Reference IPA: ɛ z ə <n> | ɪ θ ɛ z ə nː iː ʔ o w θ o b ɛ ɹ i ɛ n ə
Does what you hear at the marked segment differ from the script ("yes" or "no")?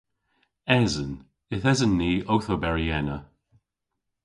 no